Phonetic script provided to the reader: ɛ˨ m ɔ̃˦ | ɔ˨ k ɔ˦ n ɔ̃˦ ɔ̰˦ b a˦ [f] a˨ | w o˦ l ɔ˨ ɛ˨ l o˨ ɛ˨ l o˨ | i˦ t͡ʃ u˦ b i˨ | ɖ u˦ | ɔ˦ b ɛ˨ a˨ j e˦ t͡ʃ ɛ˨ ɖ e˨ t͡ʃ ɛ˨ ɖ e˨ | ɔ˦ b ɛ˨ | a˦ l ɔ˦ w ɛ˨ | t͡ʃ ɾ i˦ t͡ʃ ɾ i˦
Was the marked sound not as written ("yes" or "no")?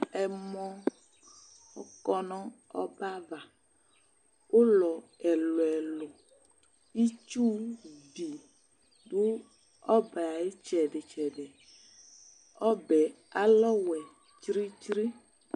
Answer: yes